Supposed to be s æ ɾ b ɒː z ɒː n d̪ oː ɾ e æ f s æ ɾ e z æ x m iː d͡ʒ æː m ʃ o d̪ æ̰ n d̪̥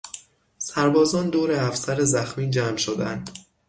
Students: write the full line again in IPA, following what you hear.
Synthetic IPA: s æ ɾ b ɒː z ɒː n d̪ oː ɾ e æ f s æ ɾ e z æ x m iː d͡ʒ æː m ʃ o d̪ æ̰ n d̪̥